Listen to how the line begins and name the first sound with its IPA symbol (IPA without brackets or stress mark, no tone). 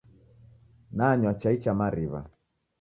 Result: n